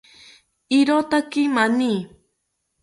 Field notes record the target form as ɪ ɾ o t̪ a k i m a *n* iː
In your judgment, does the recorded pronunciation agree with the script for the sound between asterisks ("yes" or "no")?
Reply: yes